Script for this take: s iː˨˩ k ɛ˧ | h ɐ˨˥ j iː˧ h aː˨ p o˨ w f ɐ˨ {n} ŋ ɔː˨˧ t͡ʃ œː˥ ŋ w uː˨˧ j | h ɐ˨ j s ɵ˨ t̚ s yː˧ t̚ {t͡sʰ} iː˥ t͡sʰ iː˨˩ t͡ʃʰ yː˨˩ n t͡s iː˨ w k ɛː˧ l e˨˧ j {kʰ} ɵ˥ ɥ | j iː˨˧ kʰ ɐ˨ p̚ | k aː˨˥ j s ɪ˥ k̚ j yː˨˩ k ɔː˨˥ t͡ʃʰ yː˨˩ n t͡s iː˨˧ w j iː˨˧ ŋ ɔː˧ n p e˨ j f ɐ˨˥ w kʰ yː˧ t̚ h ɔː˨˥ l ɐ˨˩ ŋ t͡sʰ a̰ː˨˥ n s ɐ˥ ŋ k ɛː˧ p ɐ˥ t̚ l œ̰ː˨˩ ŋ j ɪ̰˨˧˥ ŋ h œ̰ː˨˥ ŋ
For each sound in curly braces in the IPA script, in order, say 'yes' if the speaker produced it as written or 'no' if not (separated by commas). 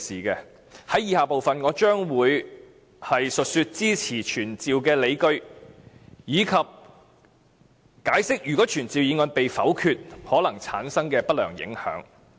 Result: yes, no, no